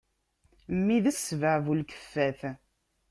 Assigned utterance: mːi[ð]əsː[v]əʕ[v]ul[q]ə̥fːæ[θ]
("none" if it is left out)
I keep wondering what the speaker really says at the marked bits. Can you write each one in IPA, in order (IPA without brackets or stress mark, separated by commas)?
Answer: ð, v, v, k, θ